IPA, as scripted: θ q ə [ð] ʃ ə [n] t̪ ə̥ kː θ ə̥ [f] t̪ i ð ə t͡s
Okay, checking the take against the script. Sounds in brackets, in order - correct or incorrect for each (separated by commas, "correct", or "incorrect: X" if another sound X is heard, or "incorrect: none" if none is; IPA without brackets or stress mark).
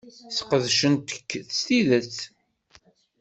correct, correct, incorrect: s